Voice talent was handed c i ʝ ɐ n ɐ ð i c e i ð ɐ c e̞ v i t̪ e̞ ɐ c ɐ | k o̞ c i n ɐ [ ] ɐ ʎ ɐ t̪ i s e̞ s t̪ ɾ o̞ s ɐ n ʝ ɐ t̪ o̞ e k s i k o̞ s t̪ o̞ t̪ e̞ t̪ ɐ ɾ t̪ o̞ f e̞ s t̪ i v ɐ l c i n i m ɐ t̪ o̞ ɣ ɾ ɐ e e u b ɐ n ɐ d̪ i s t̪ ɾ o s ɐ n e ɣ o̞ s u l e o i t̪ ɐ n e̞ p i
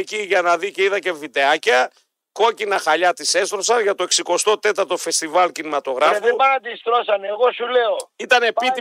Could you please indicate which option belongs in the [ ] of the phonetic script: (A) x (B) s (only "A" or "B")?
A